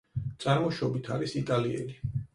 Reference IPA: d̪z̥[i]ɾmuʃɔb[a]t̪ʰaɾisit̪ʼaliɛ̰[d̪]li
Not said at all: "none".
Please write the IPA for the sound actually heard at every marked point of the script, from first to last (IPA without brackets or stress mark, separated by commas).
a, i, none